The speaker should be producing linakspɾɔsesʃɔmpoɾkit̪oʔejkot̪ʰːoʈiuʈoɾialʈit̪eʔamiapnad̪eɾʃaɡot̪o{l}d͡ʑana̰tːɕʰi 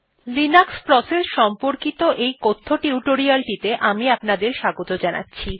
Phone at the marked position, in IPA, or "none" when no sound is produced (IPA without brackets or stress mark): none